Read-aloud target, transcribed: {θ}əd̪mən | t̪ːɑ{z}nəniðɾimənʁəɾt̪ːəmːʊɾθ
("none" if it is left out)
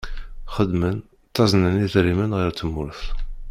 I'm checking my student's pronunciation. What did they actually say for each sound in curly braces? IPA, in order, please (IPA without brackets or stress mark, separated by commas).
χ, z